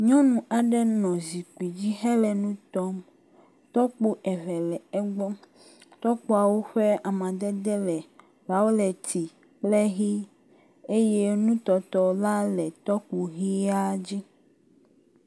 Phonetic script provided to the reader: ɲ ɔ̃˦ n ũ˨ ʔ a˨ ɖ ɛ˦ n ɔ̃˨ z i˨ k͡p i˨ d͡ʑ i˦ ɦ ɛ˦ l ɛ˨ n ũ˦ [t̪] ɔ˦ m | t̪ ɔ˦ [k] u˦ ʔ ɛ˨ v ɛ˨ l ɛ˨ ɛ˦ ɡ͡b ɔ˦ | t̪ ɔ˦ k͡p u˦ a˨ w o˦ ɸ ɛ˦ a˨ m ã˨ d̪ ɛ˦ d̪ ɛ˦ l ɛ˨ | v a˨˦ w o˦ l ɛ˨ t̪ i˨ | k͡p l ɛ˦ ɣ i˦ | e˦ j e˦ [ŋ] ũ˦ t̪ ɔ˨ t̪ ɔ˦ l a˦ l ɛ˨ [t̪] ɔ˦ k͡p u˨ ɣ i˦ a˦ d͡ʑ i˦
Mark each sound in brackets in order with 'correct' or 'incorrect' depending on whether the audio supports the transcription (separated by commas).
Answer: correct, incorrect, incorrect, correct